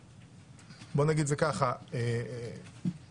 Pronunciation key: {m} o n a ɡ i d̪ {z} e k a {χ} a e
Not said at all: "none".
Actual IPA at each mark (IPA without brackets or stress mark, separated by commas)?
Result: b, z, χ